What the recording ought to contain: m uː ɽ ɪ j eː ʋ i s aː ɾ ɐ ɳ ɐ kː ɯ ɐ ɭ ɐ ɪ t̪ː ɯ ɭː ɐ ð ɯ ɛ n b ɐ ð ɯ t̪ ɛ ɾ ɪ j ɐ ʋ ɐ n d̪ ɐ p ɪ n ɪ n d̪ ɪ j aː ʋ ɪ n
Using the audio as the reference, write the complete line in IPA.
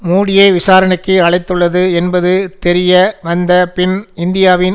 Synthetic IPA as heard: m uː ɽ ɪ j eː ʋ ɪ s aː ɾ ɐ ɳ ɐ kː ɯ ɐ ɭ ɐ ɪ t̪ː ɯ ɭː ɐ ð ɯ ɛ n b ɐ ð ɯ t̪ ɛ ɾ ɪ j ɐ ʋ ɐ n d̪ ɐ p ɪ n ɪ n d̪ ɪ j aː ʋ ɪ n